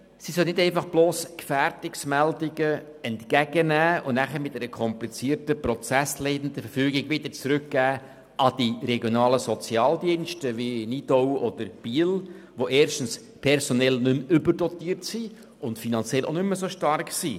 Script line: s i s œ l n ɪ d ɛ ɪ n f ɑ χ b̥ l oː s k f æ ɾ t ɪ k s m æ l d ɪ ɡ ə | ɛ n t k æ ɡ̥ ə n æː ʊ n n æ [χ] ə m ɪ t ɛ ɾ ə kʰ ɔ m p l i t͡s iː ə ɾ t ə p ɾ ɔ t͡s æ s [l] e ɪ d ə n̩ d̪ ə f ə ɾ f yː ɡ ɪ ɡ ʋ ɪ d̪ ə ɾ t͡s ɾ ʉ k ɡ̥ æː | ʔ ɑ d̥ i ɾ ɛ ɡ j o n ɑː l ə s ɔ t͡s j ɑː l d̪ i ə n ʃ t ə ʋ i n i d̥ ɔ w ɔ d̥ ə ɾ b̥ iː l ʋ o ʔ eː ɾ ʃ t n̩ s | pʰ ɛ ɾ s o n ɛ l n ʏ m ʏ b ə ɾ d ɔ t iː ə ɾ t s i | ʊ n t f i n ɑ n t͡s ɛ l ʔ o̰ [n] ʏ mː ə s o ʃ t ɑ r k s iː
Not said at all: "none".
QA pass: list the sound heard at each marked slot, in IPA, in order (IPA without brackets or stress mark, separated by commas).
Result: χ, l, n